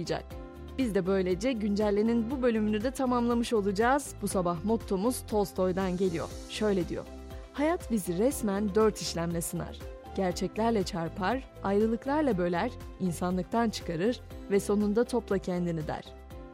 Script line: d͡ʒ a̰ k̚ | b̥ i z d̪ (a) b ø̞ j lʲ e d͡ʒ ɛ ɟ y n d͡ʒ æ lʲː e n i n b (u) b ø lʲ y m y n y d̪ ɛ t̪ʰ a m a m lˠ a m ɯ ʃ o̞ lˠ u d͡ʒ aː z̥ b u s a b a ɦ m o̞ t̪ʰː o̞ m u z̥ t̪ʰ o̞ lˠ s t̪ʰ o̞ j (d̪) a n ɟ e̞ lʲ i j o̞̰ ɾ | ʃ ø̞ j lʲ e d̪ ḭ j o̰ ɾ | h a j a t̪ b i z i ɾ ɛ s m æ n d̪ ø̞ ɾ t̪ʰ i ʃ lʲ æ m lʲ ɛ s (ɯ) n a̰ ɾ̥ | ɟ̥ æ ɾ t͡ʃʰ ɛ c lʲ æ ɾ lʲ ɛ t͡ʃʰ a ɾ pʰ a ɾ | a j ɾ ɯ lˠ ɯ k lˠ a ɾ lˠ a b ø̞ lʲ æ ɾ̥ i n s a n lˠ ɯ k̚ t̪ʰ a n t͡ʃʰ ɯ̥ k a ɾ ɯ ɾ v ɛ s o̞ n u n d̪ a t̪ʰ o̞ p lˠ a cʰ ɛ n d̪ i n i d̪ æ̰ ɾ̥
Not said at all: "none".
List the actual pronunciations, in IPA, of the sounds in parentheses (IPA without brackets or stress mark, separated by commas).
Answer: ɛ, u, d̪, ɯ